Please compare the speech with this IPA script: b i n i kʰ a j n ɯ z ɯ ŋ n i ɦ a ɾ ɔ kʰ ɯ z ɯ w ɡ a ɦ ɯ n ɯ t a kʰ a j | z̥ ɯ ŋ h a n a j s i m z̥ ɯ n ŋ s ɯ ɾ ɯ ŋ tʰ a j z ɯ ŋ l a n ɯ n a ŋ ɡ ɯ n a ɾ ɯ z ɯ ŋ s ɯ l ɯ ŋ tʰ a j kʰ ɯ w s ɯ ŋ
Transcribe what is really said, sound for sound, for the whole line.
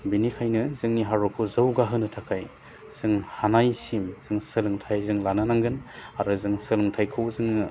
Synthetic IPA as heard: b i n i kʰ a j n ɯ z ɯ ŋ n i ɦ a ɾ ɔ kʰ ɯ z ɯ w ɡ a ɦ ɯ n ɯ tʰ a kʰ a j | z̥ ɯ ŋ h a n a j s i m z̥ ɯ ŋ s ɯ l ɯ ŋ tʰ a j z ɯ ŋ l a n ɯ n a ŋ ɡ ɯ n a ɾ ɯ z ɯ ŋ s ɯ l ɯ ŋ tʰ a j kʰ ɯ w z ɯ ŋ